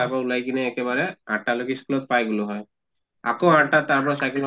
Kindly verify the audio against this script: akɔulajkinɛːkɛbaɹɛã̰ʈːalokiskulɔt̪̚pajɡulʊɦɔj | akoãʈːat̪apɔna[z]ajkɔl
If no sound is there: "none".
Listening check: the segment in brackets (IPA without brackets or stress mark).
s